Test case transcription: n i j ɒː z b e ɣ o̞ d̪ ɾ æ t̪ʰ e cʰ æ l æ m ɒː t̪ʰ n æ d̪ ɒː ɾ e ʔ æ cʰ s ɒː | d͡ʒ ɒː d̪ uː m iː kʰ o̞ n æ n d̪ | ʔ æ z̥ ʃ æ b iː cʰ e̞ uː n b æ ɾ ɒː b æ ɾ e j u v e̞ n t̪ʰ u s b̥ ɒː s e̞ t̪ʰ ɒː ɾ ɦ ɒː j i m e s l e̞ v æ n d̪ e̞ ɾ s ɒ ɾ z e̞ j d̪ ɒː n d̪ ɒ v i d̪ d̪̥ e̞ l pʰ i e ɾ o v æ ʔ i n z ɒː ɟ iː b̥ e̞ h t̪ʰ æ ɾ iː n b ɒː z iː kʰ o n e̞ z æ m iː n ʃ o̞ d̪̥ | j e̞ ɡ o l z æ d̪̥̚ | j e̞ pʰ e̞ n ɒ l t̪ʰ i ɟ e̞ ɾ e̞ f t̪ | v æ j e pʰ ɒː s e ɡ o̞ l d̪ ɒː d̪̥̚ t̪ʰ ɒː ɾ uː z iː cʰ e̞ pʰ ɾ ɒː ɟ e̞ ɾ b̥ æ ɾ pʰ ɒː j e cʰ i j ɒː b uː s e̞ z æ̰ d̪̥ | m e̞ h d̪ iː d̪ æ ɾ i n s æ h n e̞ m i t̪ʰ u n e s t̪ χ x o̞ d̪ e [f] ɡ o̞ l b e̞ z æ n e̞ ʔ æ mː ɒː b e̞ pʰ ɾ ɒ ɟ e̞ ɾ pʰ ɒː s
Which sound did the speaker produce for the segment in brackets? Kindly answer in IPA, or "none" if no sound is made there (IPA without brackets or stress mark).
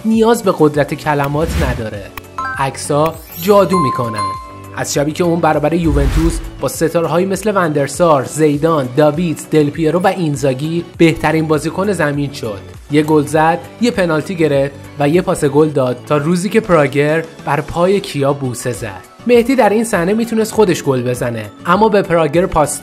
ʃ